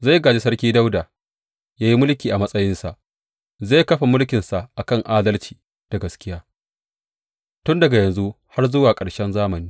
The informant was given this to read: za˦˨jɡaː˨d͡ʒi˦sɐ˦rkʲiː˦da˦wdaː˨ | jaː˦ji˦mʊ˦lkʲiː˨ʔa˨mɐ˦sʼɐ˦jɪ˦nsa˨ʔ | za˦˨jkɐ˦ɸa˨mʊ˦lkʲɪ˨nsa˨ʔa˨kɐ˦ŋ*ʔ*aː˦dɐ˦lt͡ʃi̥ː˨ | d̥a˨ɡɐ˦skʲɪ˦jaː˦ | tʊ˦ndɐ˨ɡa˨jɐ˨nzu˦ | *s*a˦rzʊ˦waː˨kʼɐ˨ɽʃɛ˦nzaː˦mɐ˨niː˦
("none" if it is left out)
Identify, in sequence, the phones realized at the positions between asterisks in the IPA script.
ʔ, h

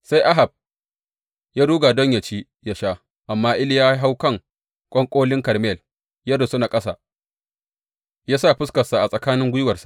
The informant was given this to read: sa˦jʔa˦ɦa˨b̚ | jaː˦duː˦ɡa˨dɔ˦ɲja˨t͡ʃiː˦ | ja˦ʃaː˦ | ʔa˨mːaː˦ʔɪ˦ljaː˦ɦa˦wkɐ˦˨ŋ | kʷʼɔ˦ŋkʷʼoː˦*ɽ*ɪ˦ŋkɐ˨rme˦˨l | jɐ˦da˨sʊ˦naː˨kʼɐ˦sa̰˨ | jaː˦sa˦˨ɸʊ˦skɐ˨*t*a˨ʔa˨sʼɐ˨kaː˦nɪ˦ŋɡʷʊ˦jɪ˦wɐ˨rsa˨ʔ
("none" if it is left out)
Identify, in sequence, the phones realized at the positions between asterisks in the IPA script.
l, s

